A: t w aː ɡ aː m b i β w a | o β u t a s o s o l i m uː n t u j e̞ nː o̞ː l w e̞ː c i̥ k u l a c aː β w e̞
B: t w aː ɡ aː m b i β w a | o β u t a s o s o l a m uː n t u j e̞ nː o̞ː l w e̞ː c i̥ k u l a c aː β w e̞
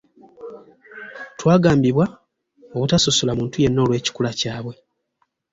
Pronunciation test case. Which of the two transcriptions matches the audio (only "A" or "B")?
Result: B